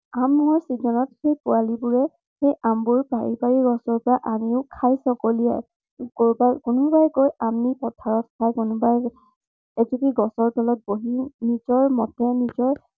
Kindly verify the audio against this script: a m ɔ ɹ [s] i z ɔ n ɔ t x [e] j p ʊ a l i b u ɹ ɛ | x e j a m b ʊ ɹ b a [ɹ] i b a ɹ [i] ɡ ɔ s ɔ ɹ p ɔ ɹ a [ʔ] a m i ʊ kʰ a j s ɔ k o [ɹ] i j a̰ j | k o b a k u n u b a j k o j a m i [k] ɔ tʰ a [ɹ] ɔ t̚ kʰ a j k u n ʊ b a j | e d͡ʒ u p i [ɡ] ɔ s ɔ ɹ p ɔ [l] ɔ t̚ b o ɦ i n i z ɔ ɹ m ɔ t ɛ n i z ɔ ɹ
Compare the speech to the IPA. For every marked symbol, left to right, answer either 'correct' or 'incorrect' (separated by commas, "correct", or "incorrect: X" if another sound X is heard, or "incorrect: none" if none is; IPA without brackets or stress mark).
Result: correct, correct, correct, correct, correct, incorrect: l, incorrect: p, correct, correct, correct